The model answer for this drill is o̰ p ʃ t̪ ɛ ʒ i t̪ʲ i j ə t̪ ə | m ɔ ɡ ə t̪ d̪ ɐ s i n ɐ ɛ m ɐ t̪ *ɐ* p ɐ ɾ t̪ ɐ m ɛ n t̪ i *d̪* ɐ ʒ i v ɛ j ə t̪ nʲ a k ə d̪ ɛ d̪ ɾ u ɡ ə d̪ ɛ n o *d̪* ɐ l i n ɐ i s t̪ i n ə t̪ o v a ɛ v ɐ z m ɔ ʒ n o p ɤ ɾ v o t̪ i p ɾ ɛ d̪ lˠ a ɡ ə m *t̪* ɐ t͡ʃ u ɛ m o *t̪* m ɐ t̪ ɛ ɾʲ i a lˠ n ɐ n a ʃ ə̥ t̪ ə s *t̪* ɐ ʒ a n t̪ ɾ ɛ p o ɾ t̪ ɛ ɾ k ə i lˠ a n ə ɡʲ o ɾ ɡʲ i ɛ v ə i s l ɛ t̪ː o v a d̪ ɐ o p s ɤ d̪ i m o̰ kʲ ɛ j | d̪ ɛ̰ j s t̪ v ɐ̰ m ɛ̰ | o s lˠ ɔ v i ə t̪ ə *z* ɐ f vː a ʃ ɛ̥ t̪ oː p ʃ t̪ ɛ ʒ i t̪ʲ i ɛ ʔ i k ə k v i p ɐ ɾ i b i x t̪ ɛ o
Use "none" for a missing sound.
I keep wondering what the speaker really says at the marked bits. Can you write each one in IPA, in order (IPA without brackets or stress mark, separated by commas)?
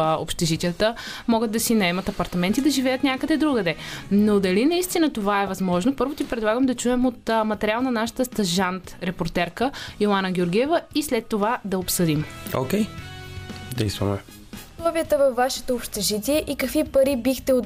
ɐ, d̪, d̪, d̪, t̪, t̪, v